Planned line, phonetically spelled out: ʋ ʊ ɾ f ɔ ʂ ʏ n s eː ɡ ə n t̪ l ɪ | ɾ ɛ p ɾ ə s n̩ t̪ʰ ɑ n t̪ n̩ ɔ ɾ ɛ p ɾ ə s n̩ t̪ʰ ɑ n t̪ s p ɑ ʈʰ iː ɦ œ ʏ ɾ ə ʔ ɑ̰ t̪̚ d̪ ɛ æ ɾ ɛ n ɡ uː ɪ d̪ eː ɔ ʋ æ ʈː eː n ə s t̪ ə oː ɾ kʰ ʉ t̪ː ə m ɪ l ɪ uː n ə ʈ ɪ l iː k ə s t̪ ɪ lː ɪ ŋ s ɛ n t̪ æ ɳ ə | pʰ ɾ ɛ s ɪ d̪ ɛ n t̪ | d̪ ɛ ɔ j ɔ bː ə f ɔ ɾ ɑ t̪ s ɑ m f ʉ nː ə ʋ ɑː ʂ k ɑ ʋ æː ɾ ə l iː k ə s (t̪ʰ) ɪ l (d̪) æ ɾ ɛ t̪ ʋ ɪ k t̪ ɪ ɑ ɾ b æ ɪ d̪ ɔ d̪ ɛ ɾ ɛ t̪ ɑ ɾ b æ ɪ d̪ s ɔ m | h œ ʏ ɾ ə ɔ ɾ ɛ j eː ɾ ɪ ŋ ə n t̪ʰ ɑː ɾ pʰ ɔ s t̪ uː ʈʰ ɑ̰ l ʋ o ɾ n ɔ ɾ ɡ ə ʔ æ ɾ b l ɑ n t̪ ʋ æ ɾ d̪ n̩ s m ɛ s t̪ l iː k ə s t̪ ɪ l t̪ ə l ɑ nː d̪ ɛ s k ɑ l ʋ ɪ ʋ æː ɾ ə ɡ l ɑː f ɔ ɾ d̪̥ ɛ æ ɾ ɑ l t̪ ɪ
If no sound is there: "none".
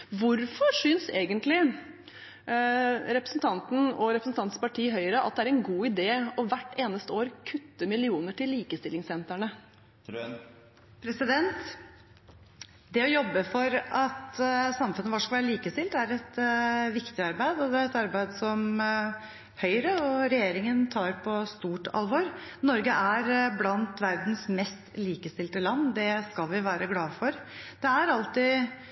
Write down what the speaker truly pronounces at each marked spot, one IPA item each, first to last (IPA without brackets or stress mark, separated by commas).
t̪, t̪